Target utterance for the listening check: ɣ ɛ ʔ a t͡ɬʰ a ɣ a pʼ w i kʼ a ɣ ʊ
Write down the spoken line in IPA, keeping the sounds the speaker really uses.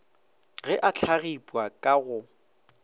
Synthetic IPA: ɣ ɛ ʔ a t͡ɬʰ a ɣ i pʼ w a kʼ a ɣ ʊ